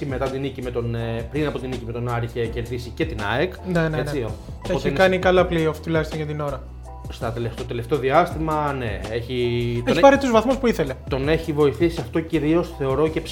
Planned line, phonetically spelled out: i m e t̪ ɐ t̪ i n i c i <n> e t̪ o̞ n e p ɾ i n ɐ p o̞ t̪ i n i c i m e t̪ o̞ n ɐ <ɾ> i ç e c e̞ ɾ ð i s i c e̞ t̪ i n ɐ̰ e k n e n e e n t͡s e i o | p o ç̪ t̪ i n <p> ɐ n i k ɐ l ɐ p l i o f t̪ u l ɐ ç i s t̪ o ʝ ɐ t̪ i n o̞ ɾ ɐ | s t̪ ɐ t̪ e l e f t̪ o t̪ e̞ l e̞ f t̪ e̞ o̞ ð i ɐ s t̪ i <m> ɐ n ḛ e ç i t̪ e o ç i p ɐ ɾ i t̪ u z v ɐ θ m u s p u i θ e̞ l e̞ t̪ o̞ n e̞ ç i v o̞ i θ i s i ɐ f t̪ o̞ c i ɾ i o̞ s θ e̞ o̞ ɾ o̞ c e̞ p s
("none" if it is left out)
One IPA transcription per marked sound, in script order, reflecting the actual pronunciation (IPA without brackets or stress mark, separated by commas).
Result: m, ɾ, k, m